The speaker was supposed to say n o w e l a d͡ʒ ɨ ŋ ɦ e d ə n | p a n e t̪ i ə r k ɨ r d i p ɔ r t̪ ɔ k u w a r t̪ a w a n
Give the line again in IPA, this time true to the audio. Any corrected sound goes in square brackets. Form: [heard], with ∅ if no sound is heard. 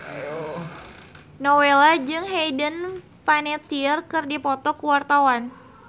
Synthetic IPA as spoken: n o w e l a d͡ʒ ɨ ŋ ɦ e d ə n | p a n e t̪ i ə r k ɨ r d i p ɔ [∅] t̪ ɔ k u w a r t̪ a w a n

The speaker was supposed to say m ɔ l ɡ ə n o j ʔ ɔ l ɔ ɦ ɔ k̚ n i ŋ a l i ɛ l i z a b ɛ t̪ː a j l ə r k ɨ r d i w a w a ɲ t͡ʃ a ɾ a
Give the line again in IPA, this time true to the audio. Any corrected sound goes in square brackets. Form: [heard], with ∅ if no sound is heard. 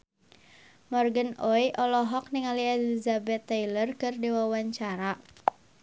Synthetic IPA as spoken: m ɔ [r] ɡ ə n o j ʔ ɔ l ɔ ɦ ɔ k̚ n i ŋ a l i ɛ l i z a b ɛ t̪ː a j l ə r k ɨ r d i w a w a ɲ t͡ʃ a ɾ a

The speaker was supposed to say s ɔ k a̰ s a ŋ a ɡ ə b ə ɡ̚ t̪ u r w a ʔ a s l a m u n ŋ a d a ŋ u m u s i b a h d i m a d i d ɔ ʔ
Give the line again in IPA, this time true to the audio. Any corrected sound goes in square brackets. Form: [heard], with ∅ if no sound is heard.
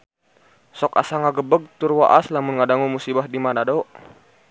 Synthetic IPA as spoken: s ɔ k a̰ s a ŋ a ɡ ə b ə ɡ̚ t̪ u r w a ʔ a s l a m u n ŋ a d a ŋ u m u s i b a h d i m a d [a] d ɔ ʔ

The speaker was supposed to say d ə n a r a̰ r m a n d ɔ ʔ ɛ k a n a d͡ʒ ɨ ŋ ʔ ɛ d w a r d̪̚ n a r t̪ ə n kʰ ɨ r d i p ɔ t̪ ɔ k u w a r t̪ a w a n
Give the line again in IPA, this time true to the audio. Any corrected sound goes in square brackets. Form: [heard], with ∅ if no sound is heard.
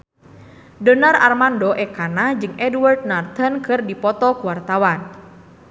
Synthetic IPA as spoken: d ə n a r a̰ r m a n d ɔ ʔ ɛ k a n a d͡ʒ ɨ ŋ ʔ ɛ d w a r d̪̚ n a r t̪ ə n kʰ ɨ r d i p ɔ t̪ ɔ k u w a r t̪ a w a n

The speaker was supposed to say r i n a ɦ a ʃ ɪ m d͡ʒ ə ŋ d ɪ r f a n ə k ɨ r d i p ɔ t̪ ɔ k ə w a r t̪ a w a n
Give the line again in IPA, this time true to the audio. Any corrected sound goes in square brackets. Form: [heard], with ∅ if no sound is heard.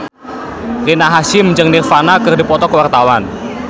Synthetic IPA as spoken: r i n a ɦ a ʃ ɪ m d͡ʒ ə ŋ [n] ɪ r f a n [a] k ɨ r d i p ɔ t̪ ɔ k ə w a r t̪ a w a n

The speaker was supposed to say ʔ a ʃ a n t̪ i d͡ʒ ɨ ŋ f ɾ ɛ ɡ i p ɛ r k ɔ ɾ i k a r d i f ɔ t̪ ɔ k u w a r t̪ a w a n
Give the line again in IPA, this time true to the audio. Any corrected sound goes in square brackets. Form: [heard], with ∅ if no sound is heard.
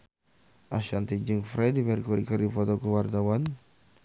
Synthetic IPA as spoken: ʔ a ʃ a n t̪ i d͡ʒ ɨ ŋ f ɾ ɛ [d] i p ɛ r k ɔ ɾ i k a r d i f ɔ t̪ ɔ k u w a r t̪ a w a n

